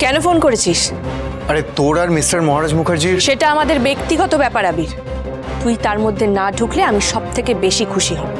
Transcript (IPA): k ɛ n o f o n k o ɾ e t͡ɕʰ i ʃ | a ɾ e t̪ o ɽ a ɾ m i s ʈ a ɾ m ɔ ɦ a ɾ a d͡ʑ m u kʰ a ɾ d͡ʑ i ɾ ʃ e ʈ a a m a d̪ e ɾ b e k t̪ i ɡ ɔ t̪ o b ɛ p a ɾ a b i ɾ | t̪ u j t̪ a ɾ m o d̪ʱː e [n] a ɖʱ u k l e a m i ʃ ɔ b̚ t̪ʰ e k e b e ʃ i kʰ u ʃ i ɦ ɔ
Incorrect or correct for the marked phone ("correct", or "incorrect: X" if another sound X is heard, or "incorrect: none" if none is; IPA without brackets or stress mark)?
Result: correct